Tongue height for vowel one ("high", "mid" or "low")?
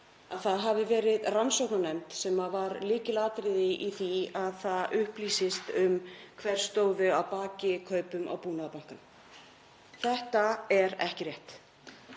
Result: low